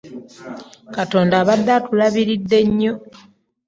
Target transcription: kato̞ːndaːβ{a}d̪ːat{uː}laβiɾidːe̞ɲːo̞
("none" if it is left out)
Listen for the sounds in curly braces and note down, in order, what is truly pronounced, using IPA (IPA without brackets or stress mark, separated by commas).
a, u